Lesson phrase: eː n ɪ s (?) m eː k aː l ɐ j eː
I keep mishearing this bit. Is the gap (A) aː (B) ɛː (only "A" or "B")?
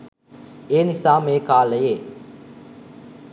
A